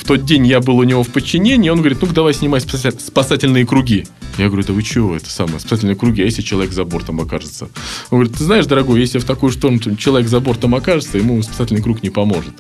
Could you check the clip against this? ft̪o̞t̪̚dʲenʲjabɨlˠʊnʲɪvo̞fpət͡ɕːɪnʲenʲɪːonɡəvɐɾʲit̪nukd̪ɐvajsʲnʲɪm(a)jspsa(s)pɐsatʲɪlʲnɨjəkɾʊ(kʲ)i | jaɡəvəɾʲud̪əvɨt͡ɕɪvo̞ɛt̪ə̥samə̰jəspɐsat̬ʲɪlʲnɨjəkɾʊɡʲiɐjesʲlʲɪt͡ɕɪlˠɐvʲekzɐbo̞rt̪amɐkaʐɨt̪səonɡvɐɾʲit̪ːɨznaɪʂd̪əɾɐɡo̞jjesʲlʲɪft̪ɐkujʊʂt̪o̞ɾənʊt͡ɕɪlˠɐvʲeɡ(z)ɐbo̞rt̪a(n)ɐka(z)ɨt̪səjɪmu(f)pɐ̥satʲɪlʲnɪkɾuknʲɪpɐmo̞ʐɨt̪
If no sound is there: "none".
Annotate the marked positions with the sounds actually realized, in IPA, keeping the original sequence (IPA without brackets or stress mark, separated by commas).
a, s, ɡʲ, z, m, ʐ, s